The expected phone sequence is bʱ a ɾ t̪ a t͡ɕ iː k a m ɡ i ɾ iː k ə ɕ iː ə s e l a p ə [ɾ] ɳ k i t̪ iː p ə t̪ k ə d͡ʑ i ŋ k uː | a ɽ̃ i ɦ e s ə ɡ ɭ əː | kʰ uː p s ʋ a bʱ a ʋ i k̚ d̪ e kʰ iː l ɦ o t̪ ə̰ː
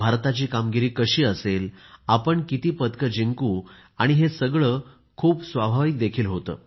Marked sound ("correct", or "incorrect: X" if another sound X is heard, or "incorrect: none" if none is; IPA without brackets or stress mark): incorrect: none